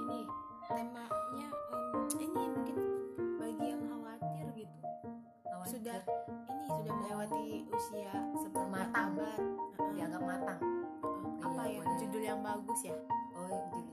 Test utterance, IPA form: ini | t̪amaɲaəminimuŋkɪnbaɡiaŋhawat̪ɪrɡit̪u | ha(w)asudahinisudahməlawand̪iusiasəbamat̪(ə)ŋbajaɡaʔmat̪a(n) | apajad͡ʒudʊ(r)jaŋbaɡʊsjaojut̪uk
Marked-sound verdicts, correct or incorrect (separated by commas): correct, incorrect, incorrect, incorrect